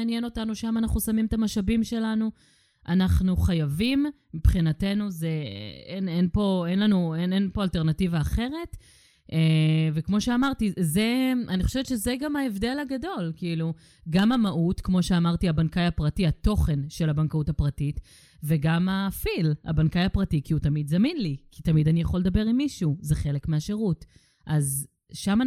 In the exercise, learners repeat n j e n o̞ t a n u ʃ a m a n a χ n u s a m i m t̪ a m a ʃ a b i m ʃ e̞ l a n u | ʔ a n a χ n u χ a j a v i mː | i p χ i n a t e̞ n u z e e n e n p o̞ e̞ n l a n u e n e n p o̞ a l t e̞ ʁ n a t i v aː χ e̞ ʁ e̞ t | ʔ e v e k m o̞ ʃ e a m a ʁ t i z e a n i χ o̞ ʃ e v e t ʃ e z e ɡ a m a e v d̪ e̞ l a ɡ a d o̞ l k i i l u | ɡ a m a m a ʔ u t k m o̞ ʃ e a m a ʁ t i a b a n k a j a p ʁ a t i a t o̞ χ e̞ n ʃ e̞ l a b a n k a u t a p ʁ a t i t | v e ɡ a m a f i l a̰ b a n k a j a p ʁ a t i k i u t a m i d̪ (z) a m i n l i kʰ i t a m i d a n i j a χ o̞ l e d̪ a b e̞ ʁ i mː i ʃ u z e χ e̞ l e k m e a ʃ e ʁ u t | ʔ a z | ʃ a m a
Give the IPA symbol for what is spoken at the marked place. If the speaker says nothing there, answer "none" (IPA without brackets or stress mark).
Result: z